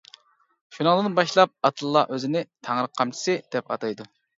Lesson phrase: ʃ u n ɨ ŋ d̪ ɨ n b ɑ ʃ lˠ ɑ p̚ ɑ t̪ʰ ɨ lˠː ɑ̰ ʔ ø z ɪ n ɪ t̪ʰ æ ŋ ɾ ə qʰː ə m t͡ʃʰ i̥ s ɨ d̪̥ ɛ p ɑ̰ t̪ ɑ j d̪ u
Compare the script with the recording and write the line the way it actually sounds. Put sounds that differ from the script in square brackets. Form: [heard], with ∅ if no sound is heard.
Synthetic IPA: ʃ u n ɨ ŋ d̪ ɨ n b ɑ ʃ lˠ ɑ p̚ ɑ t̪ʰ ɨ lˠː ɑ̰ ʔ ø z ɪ n ɪ t̪ʰ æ ŋ ɾ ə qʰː [ɑ] m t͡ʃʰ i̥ s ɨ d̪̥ ɛ p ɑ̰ t̪ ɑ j d̪ u